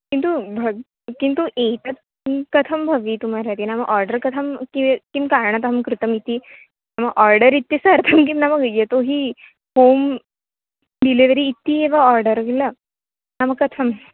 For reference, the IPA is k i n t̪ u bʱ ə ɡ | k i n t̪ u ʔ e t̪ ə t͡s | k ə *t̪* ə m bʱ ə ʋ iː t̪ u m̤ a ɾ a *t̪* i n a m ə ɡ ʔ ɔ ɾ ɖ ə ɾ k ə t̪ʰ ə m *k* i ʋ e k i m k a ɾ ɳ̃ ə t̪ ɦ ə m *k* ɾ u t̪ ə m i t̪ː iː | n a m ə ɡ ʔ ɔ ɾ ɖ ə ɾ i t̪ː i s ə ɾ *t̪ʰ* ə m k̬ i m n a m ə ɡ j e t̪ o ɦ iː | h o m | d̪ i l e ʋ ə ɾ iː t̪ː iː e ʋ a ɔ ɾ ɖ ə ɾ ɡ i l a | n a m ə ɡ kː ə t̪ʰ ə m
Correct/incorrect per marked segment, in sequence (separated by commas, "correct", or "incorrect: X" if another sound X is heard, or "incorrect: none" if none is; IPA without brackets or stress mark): incorrect: t̪ʰ, correct, correct, correct, correct